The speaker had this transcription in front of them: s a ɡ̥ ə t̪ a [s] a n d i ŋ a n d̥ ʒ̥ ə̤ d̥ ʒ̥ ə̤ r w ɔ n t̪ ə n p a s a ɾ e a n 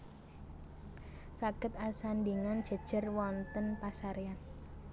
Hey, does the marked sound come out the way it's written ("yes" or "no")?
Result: yes